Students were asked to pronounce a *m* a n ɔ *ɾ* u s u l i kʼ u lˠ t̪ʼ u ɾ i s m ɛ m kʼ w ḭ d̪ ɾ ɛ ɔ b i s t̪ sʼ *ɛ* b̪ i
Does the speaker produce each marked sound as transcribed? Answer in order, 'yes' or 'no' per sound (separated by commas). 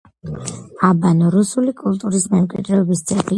no, yes, yes